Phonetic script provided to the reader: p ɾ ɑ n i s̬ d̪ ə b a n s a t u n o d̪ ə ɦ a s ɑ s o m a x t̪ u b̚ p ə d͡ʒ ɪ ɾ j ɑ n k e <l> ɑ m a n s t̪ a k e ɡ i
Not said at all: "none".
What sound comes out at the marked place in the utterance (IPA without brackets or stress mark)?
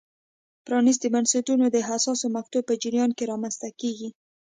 ɾ